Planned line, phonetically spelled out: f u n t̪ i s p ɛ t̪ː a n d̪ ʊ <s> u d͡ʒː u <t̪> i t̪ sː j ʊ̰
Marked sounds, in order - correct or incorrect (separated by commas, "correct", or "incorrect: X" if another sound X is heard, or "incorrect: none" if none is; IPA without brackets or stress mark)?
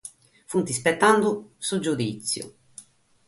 correct, incorrect: d̪